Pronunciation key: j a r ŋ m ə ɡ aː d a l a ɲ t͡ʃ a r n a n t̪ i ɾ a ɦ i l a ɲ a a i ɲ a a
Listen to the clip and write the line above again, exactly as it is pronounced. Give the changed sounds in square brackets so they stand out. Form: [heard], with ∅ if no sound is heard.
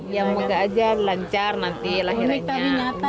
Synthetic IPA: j a [∅] ŋ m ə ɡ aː [d͡ʒ] a l a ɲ t͡ʃ a r n a n t̪ i [l] a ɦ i [ɾ] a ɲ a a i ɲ a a